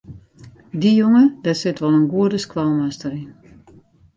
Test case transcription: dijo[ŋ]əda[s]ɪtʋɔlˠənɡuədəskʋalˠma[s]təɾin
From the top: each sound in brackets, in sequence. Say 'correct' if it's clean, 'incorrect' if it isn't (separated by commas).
correct, correct, correct